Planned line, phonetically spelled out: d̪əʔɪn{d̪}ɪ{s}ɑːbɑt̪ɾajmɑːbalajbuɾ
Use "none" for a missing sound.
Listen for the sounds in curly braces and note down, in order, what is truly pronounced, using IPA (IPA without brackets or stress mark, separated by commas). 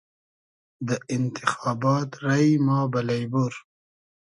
t̪, x